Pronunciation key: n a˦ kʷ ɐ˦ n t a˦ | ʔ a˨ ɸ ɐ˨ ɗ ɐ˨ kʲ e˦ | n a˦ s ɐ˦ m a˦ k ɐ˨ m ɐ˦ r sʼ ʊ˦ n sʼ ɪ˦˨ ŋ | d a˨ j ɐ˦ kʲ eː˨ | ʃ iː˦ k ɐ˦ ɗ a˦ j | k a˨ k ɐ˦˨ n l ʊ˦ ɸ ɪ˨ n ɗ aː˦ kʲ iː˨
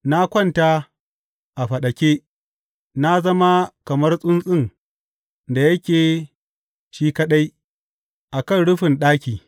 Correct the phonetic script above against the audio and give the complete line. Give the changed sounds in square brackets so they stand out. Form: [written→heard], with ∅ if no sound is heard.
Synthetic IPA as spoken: n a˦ kʷ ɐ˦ n t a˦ | ʔ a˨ ɸ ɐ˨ ɗ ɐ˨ kʲ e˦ | n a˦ [s→z] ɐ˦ m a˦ k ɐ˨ m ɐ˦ r sʼ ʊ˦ n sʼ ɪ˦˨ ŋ | d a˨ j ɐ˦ kʲ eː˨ | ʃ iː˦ k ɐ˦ ɗ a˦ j | [k→ʔ] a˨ k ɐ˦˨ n [l→ɽ] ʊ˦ ɸ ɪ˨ n ɗ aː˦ kʲ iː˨